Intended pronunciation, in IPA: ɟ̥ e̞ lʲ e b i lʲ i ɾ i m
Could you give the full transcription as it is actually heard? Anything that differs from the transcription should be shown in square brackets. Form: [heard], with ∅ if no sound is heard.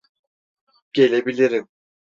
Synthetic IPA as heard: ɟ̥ e̞ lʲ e b i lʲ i ɾ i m